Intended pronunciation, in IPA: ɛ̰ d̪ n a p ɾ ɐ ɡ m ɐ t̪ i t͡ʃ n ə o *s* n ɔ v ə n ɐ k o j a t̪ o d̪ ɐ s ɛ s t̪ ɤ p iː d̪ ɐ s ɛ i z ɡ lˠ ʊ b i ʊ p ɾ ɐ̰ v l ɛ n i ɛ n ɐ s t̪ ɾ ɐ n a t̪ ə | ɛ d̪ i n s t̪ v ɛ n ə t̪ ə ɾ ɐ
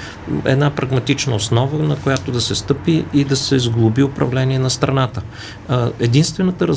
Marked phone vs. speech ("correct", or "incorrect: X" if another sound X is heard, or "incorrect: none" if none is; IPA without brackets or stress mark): correct